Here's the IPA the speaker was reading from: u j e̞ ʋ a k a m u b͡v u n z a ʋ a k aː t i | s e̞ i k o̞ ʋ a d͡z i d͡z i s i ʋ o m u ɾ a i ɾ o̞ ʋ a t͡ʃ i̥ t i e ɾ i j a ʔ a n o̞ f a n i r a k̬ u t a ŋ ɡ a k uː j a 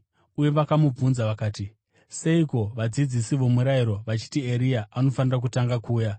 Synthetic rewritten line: u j e̞ ʋ a k a m u b͡v u n z a ʋ a k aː t i | s e̞ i k o̞ ʋ a d͡z i d͡z i s i ʋ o m u ɾ a i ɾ o̞ ʋ a t͡ʃ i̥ t i e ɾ i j a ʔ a n o̞ f a n i r a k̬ u t a ŋ ɡ a k uː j a